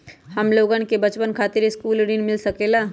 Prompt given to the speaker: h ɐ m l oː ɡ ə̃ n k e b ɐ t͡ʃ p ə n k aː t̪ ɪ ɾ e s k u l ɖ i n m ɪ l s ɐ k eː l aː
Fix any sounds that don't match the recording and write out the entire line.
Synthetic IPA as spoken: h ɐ m l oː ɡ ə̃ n k e b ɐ t͡ʃ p ə n kʰ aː t̪ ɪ ɾ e s k uː l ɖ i n m ɪ l s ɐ k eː l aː